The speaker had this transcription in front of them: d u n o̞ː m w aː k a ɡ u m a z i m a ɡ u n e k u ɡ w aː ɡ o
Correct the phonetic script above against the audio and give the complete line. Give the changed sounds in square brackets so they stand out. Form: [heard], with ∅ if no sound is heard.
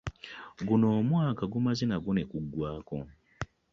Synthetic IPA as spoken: [ɡ] u n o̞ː m w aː k a ɡ u m a z i [n] a ɡ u n e k u ɡ w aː [k] o

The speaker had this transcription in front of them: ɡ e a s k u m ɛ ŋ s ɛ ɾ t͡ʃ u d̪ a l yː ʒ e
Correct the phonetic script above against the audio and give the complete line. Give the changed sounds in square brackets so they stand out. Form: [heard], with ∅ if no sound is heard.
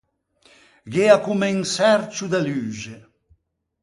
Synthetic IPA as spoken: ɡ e a [∅] k u m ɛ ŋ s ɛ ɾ t͡ʃ u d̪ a l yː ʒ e

